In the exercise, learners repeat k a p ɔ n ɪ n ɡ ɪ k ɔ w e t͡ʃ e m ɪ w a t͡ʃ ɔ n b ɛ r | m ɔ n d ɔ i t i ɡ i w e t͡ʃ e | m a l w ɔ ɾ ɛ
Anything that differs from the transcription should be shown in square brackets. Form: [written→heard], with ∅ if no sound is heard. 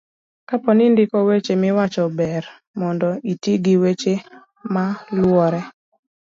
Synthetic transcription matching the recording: k a p ɔ n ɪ n [ɡ→d] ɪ k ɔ w e t͡ʃ e m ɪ w a t͡ʃ ɔ [n→∅] b ɛ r | m ɔ n d ɔ i t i ɡ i w e t͡ʃ e | m a l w ɔ ɾ ɛ

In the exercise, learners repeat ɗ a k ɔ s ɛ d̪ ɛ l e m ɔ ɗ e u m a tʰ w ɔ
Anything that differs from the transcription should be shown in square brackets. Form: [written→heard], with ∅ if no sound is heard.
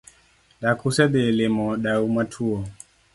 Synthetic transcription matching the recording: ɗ a k [ɔ→u] s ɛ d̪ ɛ l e m ɔ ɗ [e→a] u m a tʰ [w→u] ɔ

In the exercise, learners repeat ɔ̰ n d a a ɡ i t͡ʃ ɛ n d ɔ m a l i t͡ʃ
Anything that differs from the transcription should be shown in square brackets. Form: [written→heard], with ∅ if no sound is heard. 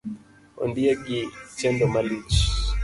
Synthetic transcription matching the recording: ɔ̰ n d [a→i] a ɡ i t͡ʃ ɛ n d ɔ m a l i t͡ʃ

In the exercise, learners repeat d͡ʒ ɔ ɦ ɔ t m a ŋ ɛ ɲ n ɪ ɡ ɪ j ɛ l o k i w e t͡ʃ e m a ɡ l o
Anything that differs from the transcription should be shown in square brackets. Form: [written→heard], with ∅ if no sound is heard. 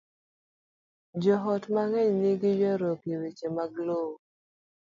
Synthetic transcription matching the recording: d͡ʒ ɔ ɦ ɔ t m a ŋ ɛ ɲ n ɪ ɡ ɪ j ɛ [l→ɾ] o k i w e t͡ʃ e m a ɡ l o

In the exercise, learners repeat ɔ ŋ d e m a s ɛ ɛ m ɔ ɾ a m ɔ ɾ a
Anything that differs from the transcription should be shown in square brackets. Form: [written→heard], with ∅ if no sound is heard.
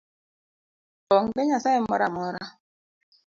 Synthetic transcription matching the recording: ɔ ŋ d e [m→ɲ] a s [ɛ→a] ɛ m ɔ ɾ a m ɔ ɾ a

